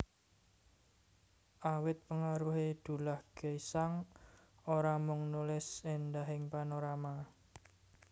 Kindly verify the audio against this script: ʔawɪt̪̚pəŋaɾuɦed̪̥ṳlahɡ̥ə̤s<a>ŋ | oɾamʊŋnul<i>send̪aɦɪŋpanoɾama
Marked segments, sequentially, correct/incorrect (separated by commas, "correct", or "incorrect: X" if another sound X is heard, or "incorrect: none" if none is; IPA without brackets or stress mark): correct, incorrect: ɪ